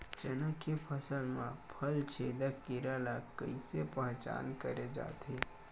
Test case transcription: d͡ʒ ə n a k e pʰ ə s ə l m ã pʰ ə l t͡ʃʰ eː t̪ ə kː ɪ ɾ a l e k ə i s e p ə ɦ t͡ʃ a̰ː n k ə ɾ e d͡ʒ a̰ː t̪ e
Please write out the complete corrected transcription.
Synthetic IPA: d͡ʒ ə n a k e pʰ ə s ə l m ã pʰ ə l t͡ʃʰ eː d̪ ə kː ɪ ɾ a l a k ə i s e p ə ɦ t͡ʃ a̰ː n k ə ɾ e d͡ʒ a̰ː t̪ e